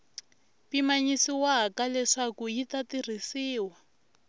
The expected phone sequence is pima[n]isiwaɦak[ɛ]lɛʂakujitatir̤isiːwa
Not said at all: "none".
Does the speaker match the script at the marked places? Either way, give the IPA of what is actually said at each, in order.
ɲ, a

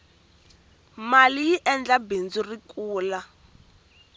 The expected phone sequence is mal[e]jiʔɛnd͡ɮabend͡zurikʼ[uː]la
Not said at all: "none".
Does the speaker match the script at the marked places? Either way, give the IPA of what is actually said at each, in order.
i, uː

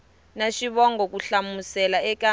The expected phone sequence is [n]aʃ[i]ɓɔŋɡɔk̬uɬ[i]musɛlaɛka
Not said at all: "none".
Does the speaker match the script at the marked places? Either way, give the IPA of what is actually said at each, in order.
n, i, a

